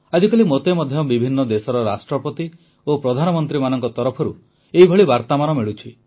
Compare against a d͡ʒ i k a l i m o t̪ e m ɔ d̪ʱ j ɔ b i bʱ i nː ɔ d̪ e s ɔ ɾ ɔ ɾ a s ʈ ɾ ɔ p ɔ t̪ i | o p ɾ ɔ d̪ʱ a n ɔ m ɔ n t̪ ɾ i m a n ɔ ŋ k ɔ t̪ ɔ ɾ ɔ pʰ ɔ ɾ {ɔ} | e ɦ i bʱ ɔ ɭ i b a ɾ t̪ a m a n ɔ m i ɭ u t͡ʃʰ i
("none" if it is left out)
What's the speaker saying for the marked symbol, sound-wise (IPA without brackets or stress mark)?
u